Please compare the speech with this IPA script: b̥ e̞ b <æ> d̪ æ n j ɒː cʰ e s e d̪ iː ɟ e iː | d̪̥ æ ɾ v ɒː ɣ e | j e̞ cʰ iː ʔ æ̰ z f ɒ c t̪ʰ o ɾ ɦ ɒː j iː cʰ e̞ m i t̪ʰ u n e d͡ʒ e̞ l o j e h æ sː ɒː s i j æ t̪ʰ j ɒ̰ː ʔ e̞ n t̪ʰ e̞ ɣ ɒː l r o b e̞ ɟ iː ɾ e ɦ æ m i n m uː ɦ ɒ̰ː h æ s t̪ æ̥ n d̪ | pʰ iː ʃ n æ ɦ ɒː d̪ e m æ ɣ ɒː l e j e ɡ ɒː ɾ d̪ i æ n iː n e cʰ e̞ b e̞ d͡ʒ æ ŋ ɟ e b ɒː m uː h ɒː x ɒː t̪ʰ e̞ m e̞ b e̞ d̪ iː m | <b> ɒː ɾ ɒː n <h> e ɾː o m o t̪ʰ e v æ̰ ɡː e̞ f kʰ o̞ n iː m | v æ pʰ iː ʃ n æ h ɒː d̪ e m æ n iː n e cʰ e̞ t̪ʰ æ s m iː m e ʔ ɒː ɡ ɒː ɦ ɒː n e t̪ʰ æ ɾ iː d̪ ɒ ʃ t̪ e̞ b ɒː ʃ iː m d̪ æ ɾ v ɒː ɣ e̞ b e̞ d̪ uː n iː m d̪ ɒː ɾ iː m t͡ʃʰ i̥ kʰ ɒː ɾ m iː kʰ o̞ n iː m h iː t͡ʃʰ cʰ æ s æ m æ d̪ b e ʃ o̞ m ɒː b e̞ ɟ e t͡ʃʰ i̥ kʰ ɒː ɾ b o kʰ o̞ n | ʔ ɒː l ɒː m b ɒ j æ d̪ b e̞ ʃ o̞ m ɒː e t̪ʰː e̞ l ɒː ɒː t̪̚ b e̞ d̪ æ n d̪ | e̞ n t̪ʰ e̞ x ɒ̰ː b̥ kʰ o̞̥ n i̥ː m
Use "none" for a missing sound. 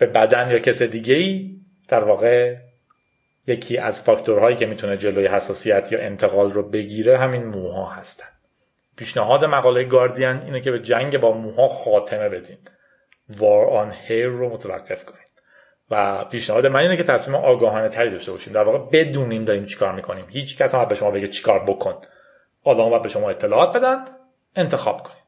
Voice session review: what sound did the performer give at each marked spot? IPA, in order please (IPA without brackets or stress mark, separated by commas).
æ, v, h